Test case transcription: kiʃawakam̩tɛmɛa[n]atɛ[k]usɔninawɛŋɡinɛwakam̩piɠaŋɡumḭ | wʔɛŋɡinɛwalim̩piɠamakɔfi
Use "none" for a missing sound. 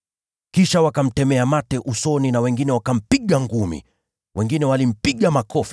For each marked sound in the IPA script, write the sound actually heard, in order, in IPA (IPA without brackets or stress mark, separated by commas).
m, ʔ